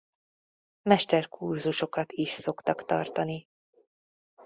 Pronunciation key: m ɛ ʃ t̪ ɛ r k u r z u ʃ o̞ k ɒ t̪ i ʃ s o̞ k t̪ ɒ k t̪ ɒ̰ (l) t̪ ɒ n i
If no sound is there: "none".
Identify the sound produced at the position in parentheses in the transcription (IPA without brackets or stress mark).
r